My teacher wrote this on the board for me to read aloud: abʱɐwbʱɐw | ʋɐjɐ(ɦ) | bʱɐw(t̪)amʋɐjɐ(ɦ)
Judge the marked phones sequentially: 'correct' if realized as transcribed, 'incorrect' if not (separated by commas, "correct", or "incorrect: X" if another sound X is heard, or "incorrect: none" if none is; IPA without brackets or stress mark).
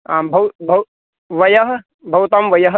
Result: correct, correct, correct